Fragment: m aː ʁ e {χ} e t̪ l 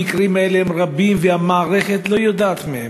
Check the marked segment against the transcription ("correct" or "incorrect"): correct